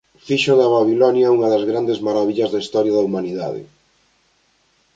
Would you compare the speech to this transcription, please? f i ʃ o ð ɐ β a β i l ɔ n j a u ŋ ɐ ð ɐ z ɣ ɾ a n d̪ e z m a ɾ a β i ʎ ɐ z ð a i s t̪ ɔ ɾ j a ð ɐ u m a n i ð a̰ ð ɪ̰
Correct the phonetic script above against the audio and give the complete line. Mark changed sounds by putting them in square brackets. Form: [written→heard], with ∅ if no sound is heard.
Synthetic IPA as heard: f i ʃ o ð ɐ β a β i l ɔ n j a u ŋ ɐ ð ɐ z ɣ ɾ a n d̪ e z m a ɾ a β i ʎ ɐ z ð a i s t̪ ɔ ɾ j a ð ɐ u m a n i ð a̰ ð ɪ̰